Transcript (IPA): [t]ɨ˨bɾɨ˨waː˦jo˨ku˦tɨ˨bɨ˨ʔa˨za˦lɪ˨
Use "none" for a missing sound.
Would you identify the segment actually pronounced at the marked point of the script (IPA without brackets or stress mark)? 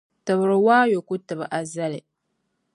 t